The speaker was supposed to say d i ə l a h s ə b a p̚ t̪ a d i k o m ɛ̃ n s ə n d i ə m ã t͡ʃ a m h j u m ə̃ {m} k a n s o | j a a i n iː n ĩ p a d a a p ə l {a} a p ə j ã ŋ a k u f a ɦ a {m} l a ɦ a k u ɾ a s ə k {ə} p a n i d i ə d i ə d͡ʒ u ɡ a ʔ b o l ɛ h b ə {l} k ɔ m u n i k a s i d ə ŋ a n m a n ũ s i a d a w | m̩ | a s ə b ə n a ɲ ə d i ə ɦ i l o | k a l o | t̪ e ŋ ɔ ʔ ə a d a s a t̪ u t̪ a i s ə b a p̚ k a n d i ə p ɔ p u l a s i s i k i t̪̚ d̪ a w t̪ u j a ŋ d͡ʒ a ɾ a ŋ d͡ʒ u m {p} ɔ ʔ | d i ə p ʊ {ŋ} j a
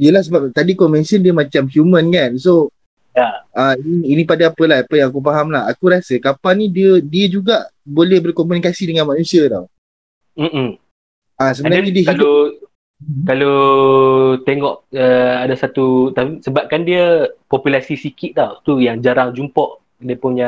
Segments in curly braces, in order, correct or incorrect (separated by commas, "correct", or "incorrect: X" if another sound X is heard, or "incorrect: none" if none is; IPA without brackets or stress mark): incorrect: n, correct, correct, incorrect: a, incorrect: r, correct, incorrect: n